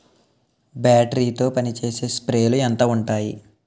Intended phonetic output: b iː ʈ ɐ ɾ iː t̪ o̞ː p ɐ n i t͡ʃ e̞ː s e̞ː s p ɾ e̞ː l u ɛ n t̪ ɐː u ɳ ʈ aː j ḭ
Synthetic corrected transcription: b aː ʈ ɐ ɾ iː t̪ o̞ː p ɐ n i t͡ʃ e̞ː s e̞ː s p ɾ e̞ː l u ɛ n t̪ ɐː u ɳ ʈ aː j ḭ